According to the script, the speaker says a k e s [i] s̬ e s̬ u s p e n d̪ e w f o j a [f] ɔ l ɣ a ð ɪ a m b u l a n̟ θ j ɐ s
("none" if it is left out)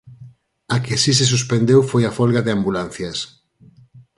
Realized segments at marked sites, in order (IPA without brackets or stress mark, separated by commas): i, f